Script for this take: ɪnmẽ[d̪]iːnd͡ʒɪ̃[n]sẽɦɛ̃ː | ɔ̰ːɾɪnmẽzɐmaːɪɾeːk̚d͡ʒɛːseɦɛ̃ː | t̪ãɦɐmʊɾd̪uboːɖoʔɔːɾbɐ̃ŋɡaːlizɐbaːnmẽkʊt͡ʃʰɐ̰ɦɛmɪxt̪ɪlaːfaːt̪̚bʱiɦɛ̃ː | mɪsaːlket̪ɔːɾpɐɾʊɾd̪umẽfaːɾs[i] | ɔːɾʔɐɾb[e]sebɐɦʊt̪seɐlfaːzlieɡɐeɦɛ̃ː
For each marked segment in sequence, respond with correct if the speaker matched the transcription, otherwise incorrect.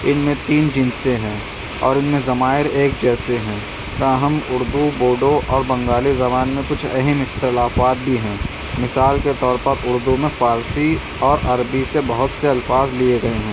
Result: incorrect: t̪, correct, correct, incorrect: i

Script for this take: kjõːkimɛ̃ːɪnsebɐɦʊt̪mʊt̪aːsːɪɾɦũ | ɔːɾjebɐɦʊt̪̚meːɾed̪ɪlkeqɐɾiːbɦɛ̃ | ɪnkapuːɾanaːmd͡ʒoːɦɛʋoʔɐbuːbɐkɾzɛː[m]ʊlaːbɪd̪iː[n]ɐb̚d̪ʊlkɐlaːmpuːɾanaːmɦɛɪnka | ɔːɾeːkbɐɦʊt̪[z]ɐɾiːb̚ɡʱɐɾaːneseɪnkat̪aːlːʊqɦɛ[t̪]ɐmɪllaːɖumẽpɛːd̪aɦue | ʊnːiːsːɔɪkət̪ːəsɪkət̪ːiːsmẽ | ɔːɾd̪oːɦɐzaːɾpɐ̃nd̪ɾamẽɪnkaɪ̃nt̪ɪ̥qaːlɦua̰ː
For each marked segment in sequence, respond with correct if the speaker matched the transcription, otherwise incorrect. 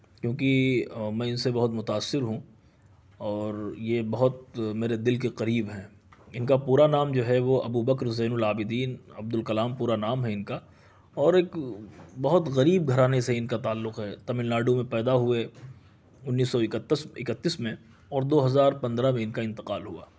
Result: incorrect: n, correct, incorrect: ɣ, correct

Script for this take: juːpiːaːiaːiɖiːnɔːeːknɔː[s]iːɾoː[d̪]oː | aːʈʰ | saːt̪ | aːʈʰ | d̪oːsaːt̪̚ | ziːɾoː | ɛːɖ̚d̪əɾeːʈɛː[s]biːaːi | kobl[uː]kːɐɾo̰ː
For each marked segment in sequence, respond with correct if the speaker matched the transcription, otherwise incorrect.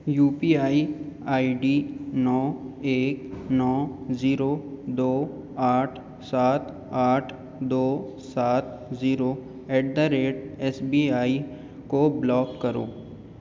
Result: incorrect: z, correct, correct, incorrect: ɔː

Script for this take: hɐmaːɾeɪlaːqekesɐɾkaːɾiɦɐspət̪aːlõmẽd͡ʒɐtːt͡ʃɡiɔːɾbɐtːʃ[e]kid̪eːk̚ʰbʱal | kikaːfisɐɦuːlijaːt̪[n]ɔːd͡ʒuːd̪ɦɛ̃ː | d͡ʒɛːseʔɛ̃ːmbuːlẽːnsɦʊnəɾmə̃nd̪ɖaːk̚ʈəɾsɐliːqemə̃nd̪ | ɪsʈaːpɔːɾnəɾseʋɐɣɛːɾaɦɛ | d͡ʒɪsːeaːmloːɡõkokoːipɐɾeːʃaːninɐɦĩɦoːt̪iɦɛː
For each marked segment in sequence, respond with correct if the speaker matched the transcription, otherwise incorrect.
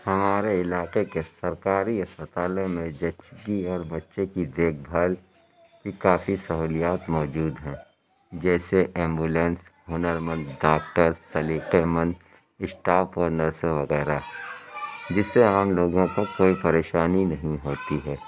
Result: correct, incorrect: m

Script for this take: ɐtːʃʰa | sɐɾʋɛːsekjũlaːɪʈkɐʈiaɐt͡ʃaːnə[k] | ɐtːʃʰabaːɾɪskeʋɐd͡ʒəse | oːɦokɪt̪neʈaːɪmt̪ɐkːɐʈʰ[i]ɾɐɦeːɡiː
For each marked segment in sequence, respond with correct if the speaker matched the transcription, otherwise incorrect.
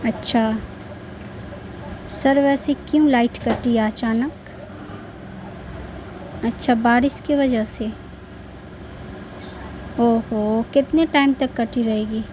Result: correct, correct

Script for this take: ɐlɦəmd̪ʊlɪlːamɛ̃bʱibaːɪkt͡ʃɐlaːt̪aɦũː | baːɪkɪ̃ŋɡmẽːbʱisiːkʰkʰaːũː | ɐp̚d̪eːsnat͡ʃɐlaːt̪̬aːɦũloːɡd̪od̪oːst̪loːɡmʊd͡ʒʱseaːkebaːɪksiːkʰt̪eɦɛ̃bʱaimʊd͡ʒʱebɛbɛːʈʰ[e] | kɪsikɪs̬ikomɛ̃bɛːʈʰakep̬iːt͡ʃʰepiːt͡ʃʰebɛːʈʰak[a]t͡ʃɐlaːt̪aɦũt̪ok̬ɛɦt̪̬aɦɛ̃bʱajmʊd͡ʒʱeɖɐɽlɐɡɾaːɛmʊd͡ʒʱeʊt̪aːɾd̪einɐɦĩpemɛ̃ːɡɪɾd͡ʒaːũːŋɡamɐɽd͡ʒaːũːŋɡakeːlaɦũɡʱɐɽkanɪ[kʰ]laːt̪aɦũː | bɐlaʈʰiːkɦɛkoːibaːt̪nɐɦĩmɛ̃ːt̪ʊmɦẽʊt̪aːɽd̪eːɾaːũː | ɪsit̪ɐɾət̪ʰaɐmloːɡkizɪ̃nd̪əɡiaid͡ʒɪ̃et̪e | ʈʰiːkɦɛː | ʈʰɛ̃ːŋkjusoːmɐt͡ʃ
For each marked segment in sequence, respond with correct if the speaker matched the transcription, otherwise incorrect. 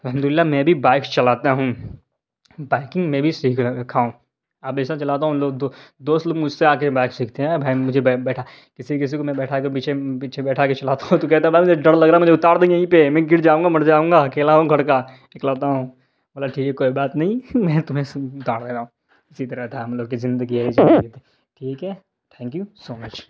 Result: incorrect: a, incorrect: e, incorrect: k

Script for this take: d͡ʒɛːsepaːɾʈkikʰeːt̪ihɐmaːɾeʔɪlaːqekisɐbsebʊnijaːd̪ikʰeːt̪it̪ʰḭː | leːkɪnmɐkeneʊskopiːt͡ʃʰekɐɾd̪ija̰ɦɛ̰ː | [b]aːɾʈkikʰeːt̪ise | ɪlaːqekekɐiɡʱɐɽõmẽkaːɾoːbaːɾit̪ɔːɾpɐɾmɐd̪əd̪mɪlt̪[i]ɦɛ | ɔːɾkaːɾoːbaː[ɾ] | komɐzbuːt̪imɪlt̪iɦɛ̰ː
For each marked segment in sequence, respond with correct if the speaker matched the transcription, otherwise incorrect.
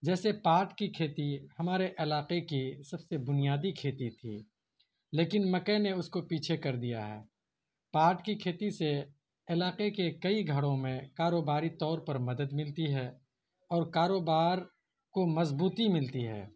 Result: incorrect: p, correct, correct

